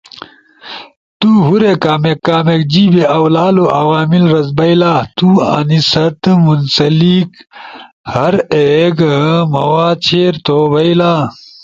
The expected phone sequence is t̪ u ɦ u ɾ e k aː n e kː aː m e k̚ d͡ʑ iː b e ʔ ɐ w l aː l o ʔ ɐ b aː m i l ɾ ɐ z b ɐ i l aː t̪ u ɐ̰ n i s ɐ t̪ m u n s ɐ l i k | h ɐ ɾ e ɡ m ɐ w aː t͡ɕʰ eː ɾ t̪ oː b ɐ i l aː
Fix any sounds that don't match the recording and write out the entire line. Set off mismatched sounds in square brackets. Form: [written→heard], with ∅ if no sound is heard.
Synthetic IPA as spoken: t̪ u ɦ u ɾ e k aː [n→m] e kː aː m e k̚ d͡ʑ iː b e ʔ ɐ w l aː l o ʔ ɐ [b→w] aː m i l ɾ ɐ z b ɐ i l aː t̪ u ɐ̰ n i s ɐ t̪ m u n s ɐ l i k | h ɐ ɾ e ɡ m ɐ w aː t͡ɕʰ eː ɾ t̪ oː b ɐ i l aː